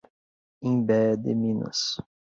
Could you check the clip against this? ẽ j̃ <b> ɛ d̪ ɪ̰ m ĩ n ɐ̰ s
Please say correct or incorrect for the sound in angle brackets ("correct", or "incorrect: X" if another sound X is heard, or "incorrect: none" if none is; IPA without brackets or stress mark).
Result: correct